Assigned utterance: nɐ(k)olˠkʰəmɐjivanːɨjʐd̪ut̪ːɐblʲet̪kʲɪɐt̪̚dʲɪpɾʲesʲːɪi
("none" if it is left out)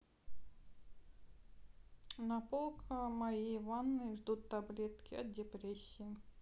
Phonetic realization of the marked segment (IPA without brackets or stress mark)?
p